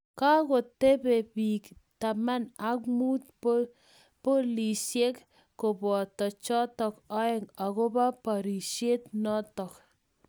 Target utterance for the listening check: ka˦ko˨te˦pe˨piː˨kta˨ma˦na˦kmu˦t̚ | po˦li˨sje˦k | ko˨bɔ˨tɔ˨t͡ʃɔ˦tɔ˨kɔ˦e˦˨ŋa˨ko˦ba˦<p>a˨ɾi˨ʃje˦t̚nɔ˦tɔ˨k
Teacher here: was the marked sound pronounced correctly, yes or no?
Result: yes